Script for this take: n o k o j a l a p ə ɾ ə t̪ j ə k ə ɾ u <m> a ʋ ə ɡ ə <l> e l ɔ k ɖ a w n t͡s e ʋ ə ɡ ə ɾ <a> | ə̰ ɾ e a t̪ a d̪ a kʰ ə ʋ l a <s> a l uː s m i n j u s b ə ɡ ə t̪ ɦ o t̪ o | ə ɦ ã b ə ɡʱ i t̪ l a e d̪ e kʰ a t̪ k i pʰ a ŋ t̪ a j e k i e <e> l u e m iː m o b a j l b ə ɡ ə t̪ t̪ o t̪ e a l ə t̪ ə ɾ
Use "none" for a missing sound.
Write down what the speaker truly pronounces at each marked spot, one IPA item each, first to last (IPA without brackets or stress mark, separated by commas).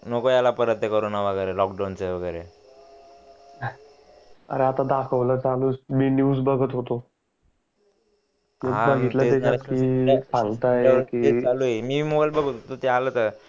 n, ɾ, e, t͡s, a